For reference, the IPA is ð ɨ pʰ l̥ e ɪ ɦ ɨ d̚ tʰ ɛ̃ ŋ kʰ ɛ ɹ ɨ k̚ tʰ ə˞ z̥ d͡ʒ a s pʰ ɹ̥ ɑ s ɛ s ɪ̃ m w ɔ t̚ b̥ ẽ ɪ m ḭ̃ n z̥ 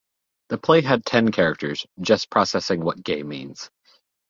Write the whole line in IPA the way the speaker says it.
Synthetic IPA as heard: ð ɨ pʰ l̥ e ɪ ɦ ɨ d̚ tʰ ɛ̃ n kʰ ɛ ɹ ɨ k̚ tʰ ə˞ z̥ d͡ʒ ʌ s pʰ ɹ̥ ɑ s ɛ s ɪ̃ ŋ w ʌ t̚ ɡ̥ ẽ ɪ m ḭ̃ n z̥